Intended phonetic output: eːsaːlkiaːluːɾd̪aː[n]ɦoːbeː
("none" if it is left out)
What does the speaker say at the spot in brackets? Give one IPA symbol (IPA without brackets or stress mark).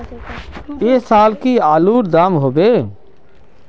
m